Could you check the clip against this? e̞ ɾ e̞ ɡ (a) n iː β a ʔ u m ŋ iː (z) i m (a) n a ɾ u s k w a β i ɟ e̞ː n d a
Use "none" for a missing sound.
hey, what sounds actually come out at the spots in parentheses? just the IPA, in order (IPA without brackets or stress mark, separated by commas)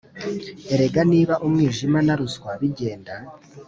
a, ʒ, a